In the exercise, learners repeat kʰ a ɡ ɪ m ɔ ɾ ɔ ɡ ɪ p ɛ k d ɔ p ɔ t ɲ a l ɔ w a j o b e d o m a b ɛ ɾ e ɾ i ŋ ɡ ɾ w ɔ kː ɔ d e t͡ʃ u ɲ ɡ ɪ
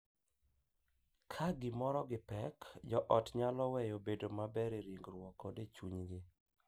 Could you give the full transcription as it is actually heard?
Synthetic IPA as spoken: kʰ a ɡ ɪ m ɔ ɾ ɔ ɡ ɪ p ɛ k d͡ʒ ɔ ʔ ɔ t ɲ a l ɔ w ɛ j o b e d o m a b ɛ ɾ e ɾ i ŋ ɡ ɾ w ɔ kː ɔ d e t͡ʃ u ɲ ɡ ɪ